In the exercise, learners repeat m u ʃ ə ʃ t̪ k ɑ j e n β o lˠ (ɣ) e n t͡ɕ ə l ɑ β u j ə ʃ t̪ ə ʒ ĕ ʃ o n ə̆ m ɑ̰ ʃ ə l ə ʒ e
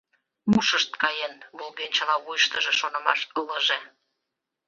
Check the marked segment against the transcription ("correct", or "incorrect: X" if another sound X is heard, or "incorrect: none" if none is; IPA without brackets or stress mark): correct